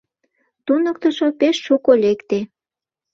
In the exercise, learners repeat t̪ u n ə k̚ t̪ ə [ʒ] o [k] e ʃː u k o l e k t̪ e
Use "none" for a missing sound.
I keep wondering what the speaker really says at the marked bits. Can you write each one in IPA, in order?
ʃ, p

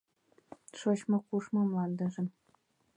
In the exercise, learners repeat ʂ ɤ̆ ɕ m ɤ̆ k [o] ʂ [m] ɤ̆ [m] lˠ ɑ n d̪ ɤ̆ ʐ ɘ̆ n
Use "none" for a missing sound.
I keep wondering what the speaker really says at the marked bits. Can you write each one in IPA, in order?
u, m, m

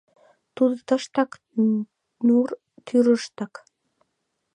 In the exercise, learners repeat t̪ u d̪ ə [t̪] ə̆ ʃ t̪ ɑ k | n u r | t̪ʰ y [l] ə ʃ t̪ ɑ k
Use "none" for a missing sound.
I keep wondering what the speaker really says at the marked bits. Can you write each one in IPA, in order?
t̪, ɾ

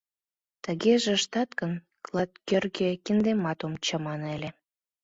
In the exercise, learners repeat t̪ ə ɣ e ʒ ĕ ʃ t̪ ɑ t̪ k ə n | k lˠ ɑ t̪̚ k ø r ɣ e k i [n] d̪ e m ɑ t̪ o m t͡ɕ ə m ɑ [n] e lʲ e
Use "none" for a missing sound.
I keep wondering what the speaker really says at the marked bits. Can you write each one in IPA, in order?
n, n

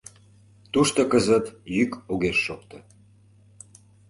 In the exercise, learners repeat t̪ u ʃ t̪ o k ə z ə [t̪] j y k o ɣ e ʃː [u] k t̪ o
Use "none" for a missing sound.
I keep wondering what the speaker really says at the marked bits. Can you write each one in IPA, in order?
t̪, o

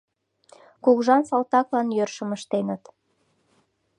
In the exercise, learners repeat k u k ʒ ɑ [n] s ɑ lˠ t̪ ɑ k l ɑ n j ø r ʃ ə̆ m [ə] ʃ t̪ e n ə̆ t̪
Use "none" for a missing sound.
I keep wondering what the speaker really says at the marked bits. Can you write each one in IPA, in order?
n, ə

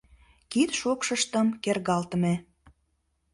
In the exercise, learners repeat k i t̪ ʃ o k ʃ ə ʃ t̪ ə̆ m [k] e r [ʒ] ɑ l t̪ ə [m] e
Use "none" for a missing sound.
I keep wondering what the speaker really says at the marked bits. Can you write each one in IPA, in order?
k, ɣ, m

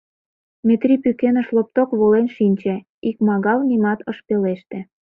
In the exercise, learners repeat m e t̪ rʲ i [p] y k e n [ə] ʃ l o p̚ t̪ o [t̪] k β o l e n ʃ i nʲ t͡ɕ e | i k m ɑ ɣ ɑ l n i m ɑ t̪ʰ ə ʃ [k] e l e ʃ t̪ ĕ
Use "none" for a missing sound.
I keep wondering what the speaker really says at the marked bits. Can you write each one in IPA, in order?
p, ə, none, p

